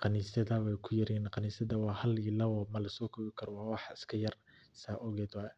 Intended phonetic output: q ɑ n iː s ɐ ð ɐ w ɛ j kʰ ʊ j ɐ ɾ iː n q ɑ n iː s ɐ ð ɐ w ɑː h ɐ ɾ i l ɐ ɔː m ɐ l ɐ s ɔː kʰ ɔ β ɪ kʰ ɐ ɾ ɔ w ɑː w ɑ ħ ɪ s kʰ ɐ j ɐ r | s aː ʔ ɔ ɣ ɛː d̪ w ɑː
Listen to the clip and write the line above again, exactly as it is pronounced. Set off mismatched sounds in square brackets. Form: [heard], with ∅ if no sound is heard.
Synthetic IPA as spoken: q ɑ n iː s ɐ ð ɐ w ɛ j kʰ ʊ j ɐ ɾ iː n q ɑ n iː s ɐ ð ɐ w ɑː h ɐ [l] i l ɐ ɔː m ɐ l ɐ s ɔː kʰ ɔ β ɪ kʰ ɐ ɾ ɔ w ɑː w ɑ ħ ɪ s kʰ ɐ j ɐ r | s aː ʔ ɔ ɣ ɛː d̪ w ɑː